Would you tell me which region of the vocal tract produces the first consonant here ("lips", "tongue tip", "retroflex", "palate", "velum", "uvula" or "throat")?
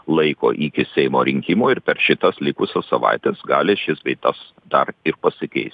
tongue tip